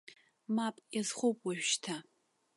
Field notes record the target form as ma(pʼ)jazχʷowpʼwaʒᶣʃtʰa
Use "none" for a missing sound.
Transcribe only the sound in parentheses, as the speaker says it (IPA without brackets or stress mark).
pʼ